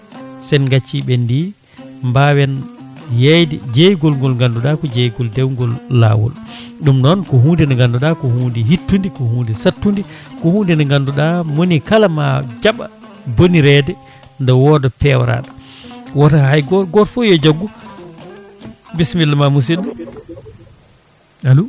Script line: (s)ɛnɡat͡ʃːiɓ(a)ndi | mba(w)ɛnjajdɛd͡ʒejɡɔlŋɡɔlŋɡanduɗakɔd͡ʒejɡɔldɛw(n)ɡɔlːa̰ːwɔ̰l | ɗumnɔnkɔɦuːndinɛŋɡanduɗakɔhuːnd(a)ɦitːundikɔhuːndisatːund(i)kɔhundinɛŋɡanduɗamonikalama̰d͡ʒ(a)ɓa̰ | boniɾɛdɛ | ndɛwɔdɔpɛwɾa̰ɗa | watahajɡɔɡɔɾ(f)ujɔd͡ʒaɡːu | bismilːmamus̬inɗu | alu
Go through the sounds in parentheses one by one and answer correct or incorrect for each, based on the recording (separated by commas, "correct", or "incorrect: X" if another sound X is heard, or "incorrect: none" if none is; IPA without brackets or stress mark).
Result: correct, incorrect: ɛ, correct, incorrect: ŋ, incorrect: i, correct, correct, correct